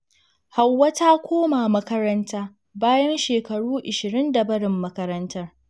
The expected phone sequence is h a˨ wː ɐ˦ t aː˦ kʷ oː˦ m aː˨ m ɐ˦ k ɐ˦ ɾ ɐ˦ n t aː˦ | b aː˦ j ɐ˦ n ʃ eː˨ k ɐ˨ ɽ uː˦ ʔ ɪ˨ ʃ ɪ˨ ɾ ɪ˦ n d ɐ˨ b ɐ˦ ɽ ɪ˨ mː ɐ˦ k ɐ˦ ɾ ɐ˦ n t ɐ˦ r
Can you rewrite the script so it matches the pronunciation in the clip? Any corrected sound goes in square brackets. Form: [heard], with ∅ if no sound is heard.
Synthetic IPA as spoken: h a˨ wː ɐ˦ t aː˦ kʷ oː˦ m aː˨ m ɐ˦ k ɐ˦ ɾ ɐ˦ n t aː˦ | b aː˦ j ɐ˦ n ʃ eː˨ k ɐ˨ ɽ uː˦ ʔ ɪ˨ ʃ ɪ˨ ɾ ɪ˦ n d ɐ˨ b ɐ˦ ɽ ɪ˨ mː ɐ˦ k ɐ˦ ɾ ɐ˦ n t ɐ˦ r